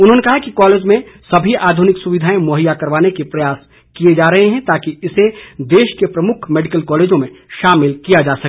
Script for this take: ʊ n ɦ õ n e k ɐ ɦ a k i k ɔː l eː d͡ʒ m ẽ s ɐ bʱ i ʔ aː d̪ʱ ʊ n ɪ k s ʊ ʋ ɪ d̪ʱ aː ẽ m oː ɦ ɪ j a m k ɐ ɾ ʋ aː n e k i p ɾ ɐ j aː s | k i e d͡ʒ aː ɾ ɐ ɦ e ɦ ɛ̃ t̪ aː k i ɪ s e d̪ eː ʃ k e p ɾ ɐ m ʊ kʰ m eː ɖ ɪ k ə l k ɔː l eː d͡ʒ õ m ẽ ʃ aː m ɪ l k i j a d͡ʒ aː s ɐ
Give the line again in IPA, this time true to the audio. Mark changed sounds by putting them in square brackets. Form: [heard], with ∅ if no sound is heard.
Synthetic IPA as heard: ʊ n ɦ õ n e k ɐ ɦ a k i k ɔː l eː d͡ʒ m ẽ s ɐ bʱ i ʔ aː d̪ʱ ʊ n ɪ k s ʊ ʋ ɪ d̪ʱ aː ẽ m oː ɦ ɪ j a [∅] k ɐ ɾ ʋ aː n e k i p ɾ ɐ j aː s | k i e d͡ʒ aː ɾ ɐ ɦ e ɦ ɛ̃ t̪ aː k i ɪ s e d̪ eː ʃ k e p ɾ ɐ m ʊ kʰ m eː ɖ ɪ k ə l k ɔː l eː d͡ʒ õ m ẽ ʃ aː m ɪ l k i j a d͡ʒ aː s ɐ